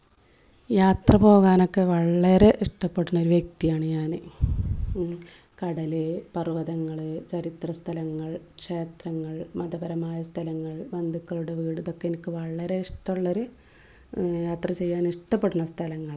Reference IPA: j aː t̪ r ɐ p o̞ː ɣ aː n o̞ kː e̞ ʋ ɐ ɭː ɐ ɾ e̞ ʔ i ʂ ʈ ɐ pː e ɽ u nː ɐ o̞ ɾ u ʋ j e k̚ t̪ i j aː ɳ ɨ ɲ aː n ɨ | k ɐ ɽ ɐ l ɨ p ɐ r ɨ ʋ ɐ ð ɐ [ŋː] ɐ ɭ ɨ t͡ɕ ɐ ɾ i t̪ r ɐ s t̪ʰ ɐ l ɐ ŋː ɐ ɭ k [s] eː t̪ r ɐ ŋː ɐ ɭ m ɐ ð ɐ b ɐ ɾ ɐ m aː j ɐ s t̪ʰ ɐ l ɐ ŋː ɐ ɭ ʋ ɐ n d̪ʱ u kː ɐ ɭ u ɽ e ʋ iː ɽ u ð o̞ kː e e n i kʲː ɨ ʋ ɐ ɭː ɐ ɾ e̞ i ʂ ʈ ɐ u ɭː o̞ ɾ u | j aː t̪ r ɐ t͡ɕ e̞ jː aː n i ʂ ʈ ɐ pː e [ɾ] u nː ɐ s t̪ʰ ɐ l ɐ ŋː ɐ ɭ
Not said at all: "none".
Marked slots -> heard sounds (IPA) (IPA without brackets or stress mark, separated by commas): ŋː, ʂ, ɽ